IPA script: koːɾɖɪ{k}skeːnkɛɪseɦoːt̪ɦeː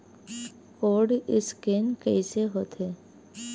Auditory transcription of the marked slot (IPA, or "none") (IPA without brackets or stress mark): none